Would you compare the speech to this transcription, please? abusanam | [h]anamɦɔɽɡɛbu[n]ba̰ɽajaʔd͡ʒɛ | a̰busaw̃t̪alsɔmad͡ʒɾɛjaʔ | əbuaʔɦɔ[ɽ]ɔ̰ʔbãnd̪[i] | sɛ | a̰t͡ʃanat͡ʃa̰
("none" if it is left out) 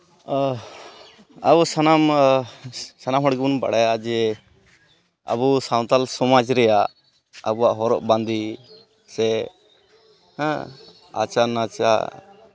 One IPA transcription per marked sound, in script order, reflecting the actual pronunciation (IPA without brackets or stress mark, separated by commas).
s, n, ɾ, i